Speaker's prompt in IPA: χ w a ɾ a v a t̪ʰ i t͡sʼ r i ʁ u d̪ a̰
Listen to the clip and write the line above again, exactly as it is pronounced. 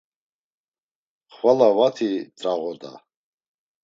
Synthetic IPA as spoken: χ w a l a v a t̪ʰ i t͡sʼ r a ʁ ɔ d̪ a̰